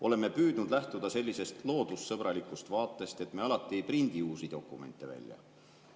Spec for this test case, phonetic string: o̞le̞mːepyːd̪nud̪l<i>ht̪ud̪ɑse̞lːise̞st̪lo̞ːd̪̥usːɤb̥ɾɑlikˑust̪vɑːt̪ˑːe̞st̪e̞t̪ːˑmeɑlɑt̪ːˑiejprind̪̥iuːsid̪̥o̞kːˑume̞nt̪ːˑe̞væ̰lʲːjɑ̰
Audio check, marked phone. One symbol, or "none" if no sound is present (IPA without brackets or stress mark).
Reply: æ